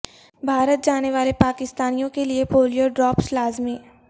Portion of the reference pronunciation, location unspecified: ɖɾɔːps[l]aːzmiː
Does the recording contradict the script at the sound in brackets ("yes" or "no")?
no